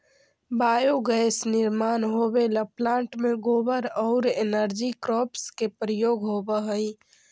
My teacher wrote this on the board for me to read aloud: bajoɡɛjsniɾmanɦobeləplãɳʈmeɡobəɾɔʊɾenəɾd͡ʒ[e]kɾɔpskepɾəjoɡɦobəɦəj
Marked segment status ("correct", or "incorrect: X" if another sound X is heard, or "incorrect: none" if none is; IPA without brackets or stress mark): incorrect: i